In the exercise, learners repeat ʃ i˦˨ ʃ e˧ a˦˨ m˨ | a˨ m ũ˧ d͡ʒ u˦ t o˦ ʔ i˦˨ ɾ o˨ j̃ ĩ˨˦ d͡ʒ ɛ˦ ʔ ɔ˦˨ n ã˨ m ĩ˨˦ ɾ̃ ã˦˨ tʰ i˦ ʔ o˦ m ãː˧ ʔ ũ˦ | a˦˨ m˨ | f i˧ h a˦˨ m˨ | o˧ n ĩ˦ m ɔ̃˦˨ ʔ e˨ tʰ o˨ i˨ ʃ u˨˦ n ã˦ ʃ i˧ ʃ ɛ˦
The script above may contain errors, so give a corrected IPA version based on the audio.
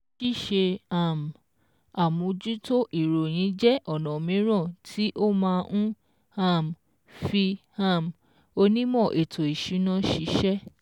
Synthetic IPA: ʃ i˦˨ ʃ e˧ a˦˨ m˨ | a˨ m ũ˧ d͡ʒ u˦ t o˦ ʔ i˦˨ ɾ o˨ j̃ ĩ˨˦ d͡ʒ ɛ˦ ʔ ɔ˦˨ n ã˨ m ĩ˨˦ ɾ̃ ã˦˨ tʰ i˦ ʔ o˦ m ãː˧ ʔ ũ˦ | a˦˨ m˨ | f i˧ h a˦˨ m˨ | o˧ n ĩ˦ m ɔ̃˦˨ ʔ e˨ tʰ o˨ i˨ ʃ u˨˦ n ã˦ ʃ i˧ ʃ ɛ˦